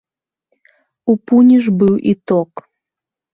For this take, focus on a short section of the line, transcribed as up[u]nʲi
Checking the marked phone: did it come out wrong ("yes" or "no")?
no